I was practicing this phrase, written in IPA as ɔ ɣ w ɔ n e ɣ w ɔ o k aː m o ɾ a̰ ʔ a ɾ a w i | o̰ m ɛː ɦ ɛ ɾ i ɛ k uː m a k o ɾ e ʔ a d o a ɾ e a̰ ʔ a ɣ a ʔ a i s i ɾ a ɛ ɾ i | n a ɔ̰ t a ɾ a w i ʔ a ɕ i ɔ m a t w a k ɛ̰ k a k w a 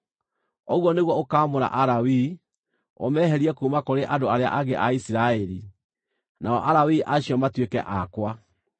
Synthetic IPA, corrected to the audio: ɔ ɣ w ɔ n e ɣ w ɔ o k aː m o ɾ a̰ ʔ a ɾ a w i | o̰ m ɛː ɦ ɛ ɾ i ɛ k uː m a k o ɾ e ʔ a d o a ɾ e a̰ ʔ a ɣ e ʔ a i s i ɾ a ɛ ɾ i | n a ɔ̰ ʔ a ɾ a w i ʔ a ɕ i ɔ m a t w e k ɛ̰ ʔ a k w a

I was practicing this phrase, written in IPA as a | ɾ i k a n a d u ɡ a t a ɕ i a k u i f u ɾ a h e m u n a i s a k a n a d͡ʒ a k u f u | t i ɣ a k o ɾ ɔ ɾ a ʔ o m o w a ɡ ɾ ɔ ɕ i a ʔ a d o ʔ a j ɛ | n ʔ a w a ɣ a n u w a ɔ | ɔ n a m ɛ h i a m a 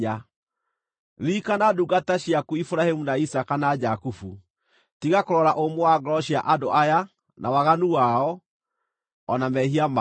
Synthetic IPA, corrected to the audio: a | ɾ i k a n a d u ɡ a t a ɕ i a k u i f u ɾ a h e m u n a i s a k a n a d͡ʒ a k u f u | t i ɣ a k o ɾ ɔ ɾ a ʔ o m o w a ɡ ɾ ɔ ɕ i a ʔ a d o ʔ a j a | n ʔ a w a ɣ a n u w a ɔ | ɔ n a m ɛ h i a m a

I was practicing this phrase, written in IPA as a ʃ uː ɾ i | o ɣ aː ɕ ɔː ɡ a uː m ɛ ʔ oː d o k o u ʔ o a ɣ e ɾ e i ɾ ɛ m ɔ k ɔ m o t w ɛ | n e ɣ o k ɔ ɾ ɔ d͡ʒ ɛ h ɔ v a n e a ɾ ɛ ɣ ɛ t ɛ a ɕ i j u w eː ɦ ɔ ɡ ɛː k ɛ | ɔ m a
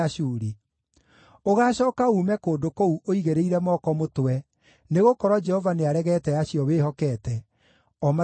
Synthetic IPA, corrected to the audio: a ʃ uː ɾ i | o ɣ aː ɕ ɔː k a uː m ɛ k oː d o k o u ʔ o i ɣ e ɾ e i ɾ ɛ m ɔ k ɔ m o t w ɛ | n e ɣ o k ɔ ɾ ɔ d͡ʒ ɛ h ɔ v a n e a ɾ ɛ ɣ ɛ t ɛ a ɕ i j ɔ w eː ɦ ɔ k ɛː t ɛ | ɔ m a

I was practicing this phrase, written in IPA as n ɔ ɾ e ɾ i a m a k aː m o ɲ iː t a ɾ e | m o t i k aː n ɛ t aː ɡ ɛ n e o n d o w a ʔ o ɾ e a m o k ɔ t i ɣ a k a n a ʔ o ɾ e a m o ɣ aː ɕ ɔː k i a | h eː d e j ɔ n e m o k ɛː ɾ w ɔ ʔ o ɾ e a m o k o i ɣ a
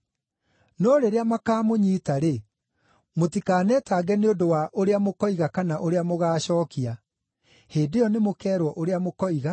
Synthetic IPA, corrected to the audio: n ɔ ɾ e ɾ e a m a k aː m o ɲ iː t a ɾ e | m o t i k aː n ɛ t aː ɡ ɛ n e o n d o w a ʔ o ɾ e a m o k ɔ i ɣ a k a n a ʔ o ɾ e a m o ɣ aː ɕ ɔː k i a | h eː d e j ɔ n e m o k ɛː ɾ w ɔ ʔ o ɾ e a m o k ɔ i ɣ a

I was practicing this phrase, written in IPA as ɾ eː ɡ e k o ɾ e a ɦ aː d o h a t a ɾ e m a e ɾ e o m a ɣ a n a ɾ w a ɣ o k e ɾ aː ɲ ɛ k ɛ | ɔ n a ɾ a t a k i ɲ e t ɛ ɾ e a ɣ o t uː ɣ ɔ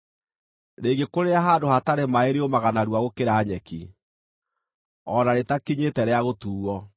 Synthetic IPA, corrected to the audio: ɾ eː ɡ e k o ɾ e a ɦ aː d o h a t a ɾ e m a e ɾ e o m a ɣ a n a ɾ w a ɣ o k e ɾ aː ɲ ɛ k i | ɔ n a ɾ e t a k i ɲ e t ɛ ɾ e a ɣ o t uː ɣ ɔ

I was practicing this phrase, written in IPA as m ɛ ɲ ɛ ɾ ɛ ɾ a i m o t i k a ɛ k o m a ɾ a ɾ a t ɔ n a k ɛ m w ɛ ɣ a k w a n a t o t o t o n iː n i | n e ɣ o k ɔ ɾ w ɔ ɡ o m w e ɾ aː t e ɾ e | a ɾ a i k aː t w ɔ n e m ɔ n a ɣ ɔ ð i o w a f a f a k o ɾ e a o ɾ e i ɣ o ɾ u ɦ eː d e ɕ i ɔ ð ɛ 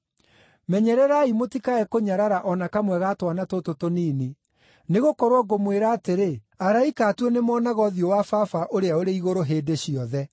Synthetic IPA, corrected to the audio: m ɛ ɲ ɛ ɾ ɛ ɾ a i m o t i k a ɛ k o ɲ a ɾ a ɾ a ʔ ɔ n a k a m w ɛ ɣ a t w a n a t o t o t o n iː n i | n e ɣ o k ɔ ɾ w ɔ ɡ o m w e ɾ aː t e ɾ e | a ɾ a i k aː t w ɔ n e m ɔ n a ɣ ɔ ð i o w a f a f a ʔ o ɾ e a o ɾ e i ɣ o ɾ o ɦ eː d e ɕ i ɔ ð ɛ

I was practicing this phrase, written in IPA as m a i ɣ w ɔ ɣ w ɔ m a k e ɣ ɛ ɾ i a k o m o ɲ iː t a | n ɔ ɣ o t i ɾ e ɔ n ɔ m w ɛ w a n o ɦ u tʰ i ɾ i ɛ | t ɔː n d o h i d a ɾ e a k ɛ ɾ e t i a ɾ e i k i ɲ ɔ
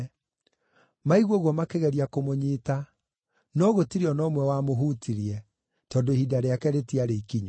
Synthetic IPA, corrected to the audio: m a i ɣ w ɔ ɣ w ɔ m a k e ɣ ɛ ɾ i a k o m o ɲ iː t a | n ɔ ɣ o t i ɾ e ɔ n ɔ m w ɛ w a m o ɦ u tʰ i ɾ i ɛ | t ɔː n d o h i d a ɾ e a k ɛ ɾ e t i a ɾ e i k i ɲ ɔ

